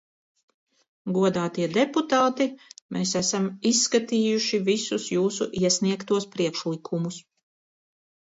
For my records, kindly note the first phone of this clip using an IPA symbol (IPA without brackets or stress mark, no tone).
ɡ